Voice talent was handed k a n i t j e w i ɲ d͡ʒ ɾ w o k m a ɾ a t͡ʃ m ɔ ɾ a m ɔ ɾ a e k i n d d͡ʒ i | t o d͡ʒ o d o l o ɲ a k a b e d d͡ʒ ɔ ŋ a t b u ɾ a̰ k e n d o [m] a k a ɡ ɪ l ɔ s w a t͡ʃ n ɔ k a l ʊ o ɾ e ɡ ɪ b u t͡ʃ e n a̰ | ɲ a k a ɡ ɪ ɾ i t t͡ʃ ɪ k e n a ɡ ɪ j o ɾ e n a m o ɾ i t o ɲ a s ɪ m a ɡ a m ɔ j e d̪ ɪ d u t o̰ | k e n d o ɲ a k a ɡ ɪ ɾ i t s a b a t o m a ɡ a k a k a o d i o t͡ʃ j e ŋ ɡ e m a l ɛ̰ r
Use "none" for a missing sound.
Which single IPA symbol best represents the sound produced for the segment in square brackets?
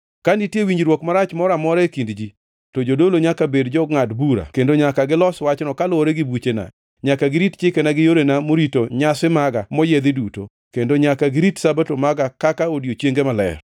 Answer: ɲ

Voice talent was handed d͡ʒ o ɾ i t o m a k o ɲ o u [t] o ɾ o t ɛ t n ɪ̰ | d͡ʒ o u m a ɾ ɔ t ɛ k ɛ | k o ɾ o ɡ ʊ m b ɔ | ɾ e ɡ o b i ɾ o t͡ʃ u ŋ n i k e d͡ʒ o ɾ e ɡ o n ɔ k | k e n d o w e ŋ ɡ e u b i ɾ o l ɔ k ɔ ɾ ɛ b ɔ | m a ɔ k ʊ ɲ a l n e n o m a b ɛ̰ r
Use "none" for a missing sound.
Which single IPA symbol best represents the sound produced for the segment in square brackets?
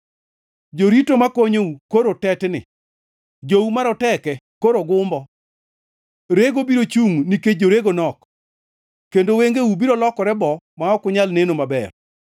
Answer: k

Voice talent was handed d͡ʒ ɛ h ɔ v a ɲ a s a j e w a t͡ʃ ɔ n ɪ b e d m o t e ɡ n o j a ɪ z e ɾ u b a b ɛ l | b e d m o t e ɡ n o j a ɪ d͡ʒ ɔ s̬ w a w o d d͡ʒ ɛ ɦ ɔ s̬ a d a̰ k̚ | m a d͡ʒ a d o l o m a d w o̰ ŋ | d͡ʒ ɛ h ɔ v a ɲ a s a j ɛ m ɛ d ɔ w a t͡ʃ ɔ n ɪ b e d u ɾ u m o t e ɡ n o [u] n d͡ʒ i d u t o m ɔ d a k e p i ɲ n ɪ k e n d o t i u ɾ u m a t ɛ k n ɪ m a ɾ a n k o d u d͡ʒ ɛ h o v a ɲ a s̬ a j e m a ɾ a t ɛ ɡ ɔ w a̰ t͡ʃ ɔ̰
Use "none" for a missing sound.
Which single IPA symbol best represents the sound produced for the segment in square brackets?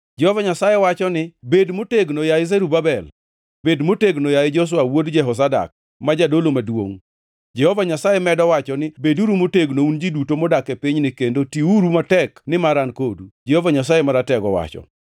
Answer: u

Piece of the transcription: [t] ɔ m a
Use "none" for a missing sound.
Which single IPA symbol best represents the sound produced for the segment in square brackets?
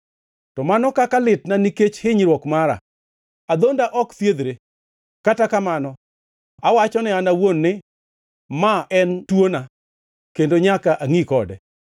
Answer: t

